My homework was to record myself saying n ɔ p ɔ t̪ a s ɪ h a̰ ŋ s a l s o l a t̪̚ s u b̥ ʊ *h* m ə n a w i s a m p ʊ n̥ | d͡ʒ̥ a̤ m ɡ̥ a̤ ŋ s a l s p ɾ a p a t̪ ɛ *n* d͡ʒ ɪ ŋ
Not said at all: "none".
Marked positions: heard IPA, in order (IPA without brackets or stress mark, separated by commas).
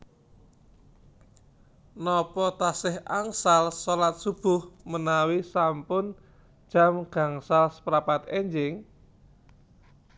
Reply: h, ɲ